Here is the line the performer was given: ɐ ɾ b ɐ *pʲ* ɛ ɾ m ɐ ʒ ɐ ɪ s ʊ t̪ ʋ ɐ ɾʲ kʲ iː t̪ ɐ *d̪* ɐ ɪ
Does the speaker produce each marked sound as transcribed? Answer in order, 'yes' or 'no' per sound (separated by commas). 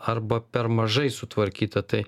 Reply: yes, no